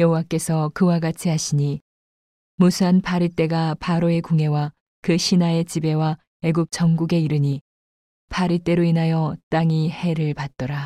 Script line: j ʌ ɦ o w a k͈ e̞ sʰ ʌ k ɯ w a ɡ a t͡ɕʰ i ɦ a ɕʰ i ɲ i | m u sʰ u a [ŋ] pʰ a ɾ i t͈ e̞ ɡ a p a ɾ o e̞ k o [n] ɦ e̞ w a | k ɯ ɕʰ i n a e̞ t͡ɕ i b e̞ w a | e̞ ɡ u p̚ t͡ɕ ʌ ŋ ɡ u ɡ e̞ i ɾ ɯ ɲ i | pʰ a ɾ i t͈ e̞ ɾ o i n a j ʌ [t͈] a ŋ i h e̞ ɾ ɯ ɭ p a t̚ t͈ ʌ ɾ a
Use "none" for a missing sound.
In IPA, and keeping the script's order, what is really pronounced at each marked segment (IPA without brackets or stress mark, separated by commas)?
n, ŋ, t͈